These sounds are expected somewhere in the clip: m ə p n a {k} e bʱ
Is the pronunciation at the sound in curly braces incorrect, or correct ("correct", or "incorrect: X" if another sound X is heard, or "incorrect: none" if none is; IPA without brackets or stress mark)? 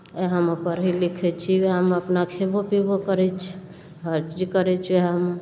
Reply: incorrect: kʰ